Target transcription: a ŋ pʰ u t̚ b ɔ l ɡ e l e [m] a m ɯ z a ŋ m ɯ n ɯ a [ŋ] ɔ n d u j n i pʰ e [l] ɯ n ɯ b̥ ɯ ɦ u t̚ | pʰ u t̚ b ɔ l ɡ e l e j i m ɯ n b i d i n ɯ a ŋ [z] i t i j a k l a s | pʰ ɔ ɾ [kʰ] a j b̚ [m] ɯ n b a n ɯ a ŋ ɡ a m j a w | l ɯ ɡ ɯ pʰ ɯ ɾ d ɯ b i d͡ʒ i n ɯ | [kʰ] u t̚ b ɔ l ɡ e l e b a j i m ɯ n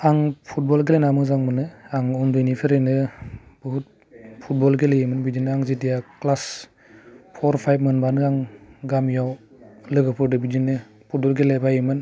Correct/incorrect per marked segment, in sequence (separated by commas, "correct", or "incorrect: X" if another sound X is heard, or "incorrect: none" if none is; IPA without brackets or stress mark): incorrect: n, correct, incorrect: ɾ, correct, incorrect: pʰ, correct, incorrect: pʰ